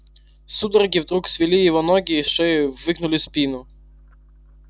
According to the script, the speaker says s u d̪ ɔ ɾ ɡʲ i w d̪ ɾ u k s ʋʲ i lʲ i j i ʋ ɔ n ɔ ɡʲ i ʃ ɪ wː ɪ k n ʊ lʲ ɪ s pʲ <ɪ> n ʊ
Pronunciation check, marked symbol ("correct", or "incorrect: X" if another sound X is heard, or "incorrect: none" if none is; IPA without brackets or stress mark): incorrect: i